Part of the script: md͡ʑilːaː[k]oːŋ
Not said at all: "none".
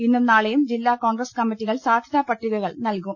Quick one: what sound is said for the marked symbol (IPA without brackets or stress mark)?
k